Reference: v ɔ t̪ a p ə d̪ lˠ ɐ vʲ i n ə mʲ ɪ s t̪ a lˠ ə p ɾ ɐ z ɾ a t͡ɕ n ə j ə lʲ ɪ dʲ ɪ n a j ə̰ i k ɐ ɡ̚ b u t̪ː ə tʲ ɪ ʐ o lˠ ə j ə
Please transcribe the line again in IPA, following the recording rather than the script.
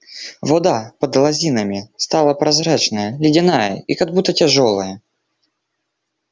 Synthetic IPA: v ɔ d̪ a p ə d̪ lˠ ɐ zʲ i n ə mʲ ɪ s t̪ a lˠ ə p ɾ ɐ z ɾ a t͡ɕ n ə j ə lʲ ɪ dʲ ɪ n a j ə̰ i k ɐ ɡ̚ b u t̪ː ə tʲ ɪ ʐ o lˠ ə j ə